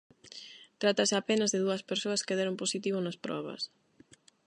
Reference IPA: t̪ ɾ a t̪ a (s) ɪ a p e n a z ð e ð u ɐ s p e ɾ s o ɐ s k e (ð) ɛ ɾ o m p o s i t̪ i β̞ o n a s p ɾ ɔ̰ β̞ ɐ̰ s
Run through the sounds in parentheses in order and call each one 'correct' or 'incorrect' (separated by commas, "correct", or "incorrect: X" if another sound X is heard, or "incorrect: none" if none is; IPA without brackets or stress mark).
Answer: correct, correct